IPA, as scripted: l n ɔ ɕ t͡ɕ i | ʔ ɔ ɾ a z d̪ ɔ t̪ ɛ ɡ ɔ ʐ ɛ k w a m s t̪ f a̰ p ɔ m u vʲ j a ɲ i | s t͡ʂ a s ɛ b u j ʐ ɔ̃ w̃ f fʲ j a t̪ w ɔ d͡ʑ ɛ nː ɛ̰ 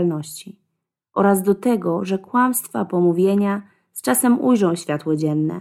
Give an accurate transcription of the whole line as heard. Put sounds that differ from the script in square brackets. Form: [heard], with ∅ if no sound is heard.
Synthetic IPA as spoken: l n ɔ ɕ t͡ɕ i | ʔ ɔ ɾ a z d̪ ɔ t̪ ɛ ɡ ɔ ʐ ɛ k w a m s t̪ f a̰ p ɔ m u vʲ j [e] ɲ [a] | s t͡ʂ a s ɛ [m] u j ʐ ɔ̃ w̃ [ɕ] fʲ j a t̪ w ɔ d͡ʑ ɛ nː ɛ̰